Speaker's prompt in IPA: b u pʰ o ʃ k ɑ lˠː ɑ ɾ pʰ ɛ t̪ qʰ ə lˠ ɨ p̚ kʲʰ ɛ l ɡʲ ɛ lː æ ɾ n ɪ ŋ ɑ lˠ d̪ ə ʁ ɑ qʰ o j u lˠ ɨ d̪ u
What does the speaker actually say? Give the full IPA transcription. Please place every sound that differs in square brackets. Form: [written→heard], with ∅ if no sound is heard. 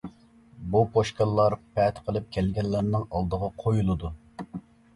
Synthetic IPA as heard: b u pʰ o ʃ k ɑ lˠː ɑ ɾ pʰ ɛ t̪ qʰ ə lˠ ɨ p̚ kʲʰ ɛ l ɡʲ ɛ lː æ ɾ n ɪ ŋ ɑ lˠ d̪ ə ʁ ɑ qʰ o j u lˠ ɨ d̪ u

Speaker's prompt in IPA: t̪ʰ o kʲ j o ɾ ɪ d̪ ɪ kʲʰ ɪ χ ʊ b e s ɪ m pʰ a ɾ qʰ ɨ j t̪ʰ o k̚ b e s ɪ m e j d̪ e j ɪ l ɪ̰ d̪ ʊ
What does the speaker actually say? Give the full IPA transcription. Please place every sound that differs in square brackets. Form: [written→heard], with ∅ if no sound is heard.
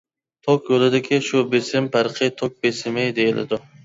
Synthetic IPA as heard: t̪ʰ o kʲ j o [ɾ→l] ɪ d̪ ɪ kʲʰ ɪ [χ→ʃ] ʊ b e s ɪ m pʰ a ɾ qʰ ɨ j t̪ʰ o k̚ b e s ɪ m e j d̪ e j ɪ l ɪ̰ d̪ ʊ

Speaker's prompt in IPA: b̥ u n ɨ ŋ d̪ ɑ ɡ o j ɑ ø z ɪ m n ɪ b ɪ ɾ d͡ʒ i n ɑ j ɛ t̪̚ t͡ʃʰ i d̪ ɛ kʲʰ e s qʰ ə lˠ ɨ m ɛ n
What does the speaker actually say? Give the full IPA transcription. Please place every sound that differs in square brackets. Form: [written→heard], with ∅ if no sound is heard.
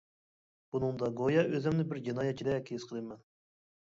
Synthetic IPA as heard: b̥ u n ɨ ŋ d̪ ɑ ɡ o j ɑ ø z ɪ m n ɪ b ɪ ɾ d͡ʒ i n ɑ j ɛ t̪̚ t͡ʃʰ i d̪ ɛ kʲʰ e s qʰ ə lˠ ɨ m ɛ n

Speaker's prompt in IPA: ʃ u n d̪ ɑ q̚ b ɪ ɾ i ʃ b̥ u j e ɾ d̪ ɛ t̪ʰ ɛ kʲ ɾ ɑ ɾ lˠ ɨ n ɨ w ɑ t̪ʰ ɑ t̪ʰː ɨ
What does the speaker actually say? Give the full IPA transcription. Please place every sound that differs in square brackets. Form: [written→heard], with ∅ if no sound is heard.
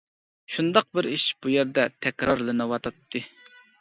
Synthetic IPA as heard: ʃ u n d̪ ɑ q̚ b ɪ ɾ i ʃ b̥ u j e ɾ d̪ ɛ t̪ʰ ɛ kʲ ɾ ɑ ɾ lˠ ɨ n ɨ w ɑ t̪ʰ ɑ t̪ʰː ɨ

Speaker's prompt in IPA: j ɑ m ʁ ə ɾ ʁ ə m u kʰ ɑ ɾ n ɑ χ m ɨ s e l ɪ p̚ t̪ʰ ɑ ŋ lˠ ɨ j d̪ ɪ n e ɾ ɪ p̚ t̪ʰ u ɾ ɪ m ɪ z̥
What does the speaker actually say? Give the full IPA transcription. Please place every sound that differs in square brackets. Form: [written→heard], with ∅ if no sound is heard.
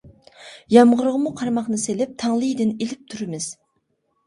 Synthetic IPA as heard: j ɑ m ʁ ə ɾ ʁ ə m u [kʰ→qʰ] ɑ ɾ [n→m] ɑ χ [m→n] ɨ s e l ɪ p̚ t̪ʰ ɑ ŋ lˠ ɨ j d̪ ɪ n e [ɾ→l] ɪ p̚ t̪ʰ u ɾ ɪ m ɪ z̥

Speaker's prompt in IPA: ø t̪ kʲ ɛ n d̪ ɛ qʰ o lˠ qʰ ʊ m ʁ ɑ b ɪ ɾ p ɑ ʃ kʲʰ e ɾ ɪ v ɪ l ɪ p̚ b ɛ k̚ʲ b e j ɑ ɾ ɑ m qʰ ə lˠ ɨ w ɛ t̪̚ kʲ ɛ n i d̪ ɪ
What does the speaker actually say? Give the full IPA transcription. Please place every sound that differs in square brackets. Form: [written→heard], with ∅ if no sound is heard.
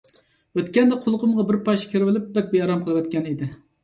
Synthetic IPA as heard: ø t̪ kʲ ɛ n d̪ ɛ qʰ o lˠ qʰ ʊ m ʁ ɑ b ɪ ɾ p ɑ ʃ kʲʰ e ɾ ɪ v ɪ l ɪ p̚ b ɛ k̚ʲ b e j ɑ ɾ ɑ m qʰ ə lˠ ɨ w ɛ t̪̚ kʲ ɛ n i d̪ ɪ

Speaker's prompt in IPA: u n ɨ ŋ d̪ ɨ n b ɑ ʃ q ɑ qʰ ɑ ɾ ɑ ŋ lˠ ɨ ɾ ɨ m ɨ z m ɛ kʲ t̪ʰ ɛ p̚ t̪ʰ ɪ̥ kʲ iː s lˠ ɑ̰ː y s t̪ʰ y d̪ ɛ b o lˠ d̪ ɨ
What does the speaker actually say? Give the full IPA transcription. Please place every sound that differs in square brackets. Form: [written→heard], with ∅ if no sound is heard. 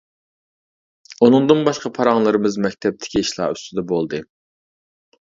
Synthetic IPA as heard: u n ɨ ŋ d̪ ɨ n b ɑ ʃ q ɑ [qʰ→pʰ] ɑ ɾ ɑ ŋ lˠ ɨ ɾ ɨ m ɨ z m ɛ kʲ t̪ʰ ɛ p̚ t̪ʰ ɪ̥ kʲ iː [s→ʃ] lˠ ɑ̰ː y s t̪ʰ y d̪ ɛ b o lˠ d̪ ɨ

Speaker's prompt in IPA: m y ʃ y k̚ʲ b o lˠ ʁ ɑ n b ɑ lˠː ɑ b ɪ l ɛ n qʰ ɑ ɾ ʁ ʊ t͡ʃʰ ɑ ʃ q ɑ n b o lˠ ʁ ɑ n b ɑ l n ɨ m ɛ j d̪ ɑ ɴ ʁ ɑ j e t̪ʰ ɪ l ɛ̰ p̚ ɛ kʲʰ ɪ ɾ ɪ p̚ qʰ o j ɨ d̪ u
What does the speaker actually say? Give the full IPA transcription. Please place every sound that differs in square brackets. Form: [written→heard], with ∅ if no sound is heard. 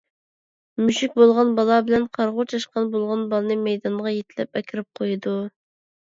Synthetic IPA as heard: m y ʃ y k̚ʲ b o lˠ ʁ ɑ n b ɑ [lˠː→lˠ] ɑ b ɪ l ɛ n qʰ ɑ ɾ ʁ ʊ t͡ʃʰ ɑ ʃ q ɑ n b o lˠ ʁ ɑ n b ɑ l n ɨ m ɛ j d̪ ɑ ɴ ʁ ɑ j e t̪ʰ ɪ l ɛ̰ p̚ ɛ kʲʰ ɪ ɾ ɪ p̚ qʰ o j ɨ d̪ u

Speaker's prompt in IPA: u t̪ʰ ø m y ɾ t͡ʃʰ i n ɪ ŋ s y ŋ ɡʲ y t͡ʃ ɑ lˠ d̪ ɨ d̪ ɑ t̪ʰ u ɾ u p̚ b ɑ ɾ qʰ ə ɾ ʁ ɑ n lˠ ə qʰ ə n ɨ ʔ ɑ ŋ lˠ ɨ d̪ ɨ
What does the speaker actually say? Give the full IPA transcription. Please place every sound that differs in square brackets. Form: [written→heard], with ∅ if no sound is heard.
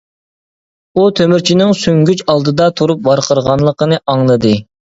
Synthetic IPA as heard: u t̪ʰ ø m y ɾ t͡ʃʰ i n ɪ ŋ s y ŋ ɡʲ y t͡ʃ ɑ lˠ d̪ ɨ d̪ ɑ t̪ʰ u ɾ u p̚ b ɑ ɾ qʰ ə ɾ ʁ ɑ n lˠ ə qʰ ə n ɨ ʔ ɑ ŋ lˠ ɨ d̪ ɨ

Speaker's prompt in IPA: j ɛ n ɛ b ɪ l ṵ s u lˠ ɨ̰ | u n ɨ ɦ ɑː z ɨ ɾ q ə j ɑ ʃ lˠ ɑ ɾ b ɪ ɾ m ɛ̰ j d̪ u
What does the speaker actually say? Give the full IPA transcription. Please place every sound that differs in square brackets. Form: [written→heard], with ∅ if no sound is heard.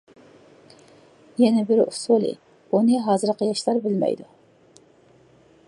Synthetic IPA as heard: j ɛ n ɛ b ɪ [l→ɾ] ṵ s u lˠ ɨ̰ | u n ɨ ɦ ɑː z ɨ ɾ q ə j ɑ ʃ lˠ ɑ ɾ b ɪ [ɾ→l] m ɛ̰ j d̪ u

